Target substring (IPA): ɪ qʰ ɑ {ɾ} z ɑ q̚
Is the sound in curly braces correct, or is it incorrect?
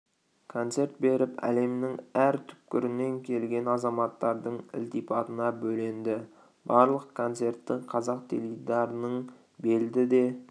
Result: incorrect